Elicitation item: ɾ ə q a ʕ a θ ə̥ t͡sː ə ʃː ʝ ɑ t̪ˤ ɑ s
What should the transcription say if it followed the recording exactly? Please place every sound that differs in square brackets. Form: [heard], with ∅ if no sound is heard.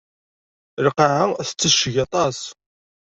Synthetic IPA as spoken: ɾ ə q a ʕ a θ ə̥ t͡sː ə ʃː ʝ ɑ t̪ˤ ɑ s